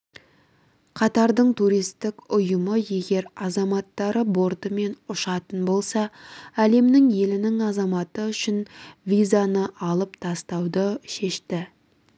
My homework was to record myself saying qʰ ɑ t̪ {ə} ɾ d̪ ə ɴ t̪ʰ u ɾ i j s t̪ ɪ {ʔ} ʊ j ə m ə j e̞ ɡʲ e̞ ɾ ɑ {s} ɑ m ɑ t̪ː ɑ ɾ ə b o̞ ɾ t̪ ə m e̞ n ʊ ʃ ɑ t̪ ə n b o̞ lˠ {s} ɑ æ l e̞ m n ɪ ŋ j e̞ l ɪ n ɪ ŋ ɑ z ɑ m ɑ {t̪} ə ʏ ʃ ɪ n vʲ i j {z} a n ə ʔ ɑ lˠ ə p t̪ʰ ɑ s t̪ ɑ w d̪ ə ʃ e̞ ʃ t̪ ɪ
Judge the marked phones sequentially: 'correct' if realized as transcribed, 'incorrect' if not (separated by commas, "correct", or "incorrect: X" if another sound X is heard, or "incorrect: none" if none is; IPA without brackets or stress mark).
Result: incorrect: ɑ, incorrect: k, incorrect: z, correct, correct, correct